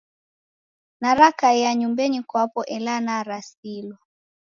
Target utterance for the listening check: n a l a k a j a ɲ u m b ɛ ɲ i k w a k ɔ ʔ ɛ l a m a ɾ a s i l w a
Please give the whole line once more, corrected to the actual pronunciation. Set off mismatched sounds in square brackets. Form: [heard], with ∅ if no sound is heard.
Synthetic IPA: n a [ɾ] a k a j a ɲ u m b ɛ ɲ i k w a [p] ɔ ʔ ɛ l a [n] a ɾ a s i l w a